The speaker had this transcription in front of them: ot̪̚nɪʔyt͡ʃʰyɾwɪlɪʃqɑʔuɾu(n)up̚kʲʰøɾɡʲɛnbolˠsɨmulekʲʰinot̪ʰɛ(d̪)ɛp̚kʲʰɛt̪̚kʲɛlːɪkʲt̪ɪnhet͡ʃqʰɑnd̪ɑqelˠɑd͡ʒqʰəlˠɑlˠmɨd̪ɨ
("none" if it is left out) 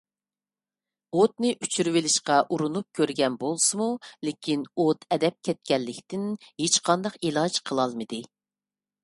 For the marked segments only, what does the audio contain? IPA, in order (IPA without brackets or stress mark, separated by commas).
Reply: n, d̪